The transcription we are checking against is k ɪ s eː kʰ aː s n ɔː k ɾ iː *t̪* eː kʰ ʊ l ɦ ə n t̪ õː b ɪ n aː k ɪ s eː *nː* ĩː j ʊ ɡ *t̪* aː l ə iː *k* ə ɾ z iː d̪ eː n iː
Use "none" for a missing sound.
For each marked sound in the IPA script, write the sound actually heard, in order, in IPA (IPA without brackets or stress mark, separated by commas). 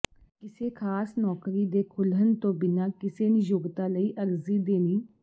d̪, n, t̪, ʔ